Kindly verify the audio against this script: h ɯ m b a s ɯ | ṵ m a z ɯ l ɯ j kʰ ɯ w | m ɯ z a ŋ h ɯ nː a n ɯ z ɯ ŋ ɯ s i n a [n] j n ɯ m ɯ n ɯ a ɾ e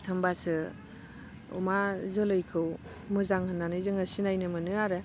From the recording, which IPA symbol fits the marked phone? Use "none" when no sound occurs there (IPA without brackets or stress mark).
none